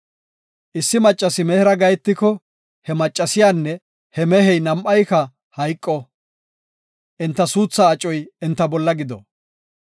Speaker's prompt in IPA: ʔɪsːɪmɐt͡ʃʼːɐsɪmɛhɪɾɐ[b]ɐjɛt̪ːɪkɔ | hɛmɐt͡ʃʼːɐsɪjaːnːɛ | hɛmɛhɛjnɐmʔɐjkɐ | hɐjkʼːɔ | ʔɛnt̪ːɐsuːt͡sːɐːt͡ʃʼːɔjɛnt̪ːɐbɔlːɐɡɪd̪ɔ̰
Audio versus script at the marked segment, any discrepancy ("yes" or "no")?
yes